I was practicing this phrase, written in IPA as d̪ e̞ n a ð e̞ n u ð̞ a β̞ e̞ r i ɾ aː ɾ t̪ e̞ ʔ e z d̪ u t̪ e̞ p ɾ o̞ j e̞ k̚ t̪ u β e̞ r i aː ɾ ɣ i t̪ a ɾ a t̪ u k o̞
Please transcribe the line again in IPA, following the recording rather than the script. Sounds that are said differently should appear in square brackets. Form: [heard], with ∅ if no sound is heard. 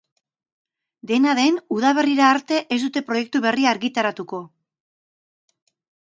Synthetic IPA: d̪ e̞ n a ð e̞ n u ð̞ a β̞ e̞ r i ɾ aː ɾ t̪ e̞ ʔ e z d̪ u t̪ e̞ p ɾ o̞ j e̞ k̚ t̪ u β e̞ r i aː ɾ ɣ i t̪ a ɾ a t̪ u k o̞